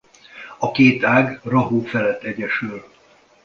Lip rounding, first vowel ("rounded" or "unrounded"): rounded